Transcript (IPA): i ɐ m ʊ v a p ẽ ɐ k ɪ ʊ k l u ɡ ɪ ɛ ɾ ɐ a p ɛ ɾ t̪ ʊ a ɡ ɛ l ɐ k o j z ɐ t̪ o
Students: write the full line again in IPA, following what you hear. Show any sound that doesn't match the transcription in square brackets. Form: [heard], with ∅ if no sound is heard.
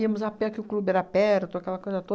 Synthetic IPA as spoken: i ɐ m ʊ [z] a p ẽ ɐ k ɪ ʊ k l u [b] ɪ ɛ ɾ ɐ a p ɛ ɾ t̪ ʊ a [k] ɛ l ɐ k o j z ɐ t̪ o